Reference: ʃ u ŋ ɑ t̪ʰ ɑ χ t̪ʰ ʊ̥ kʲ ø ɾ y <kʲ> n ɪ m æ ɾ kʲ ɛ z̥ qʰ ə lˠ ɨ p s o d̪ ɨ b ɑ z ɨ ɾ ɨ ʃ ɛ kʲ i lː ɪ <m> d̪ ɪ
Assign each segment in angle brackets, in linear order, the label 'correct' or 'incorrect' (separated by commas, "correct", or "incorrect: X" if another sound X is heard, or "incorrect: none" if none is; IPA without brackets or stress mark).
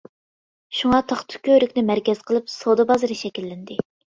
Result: correct, incorrect: n